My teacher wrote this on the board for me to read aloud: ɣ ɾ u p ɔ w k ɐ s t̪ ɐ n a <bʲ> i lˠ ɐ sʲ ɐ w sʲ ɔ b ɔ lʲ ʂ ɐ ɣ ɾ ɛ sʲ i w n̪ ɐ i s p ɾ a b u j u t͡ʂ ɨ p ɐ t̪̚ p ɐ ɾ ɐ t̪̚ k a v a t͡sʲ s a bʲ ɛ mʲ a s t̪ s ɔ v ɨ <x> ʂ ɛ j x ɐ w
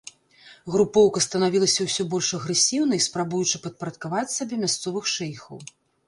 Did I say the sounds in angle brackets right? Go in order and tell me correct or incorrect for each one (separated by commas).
incorrect, correct